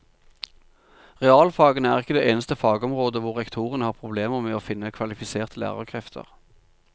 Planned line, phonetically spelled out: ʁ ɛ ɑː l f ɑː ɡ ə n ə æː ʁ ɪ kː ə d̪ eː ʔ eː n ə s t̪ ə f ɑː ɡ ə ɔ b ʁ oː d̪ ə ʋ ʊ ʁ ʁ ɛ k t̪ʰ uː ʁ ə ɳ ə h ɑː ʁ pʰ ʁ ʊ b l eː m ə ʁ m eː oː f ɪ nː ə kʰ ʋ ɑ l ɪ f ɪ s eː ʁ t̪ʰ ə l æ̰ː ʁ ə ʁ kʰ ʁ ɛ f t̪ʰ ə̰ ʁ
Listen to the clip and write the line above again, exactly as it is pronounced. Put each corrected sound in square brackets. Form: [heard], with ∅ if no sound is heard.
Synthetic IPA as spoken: ʁ ɛ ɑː l f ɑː ɡ ə n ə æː ʁ ɪ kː ə d̪ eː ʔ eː n ə s t̪ ə f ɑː ɡ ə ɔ [m] ʁ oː d̪ ə ʋ ʊ ʁ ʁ ɛ k t̪ʰ uː ʁ ə [n] ə h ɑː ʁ pʰ ʁ ʊ b l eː m ə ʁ m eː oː f ɪ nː ə kʰ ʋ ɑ l ɪ f ɪ s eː ʁ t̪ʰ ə l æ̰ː ʁ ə ʁ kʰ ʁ ɛ f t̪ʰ ə̰ ʁ

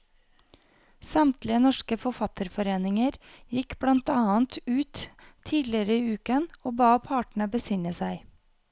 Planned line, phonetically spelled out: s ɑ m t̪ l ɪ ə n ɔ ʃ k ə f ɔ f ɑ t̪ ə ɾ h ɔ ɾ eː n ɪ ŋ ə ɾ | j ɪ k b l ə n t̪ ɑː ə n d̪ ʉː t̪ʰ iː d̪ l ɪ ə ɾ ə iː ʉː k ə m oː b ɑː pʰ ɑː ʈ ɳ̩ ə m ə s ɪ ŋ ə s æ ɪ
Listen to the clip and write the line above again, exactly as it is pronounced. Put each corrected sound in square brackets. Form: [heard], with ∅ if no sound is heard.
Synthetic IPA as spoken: s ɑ m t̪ l ɪ ə n ɔ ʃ k ə f ɔ f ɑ t̪ ə ɾ [f] ɔ ɾ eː n ɪ ŋ ə ɾ | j ɪ k b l [ɑ] n t̪ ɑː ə n [t̪] ʉː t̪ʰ iː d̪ l ɪ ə ɾ ə iː ʉː k ə [n] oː b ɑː pʰ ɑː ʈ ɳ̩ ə [b] ə s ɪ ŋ ə s æ ɪ

